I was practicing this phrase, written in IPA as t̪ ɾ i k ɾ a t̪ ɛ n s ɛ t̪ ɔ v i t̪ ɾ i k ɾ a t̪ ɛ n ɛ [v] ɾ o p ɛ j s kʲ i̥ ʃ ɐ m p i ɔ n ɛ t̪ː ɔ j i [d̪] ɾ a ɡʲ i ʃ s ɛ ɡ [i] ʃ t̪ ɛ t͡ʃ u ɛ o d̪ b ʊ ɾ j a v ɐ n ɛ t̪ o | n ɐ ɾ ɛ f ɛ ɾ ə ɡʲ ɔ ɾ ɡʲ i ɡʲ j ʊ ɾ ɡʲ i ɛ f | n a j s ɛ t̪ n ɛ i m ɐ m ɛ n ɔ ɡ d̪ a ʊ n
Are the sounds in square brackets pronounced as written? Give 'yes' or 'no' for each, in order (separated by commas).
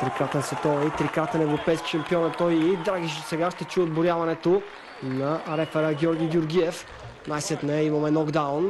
yes, yes, no